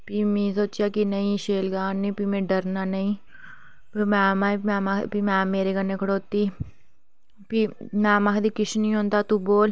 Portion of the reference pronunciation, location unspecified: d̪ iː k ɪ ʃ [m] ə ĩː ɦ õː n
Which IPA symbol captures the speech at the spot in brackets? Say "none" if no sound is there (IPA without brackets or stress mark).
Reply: n